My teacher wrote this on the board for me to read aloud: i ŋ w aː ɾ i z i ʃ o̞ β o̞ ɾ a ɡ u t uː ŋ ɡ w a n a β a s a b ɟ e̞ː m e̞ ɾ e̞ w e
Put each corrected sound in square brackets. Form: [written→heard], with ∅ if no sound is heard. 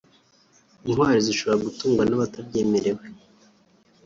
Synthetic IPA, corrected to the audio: i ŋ w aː ɾ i z i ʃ o̞ β o̞ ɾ a ɡ u t uː ŋ ɡ w a n a β a [s→t] a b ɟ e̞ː m e̞ ɾ e̞ w e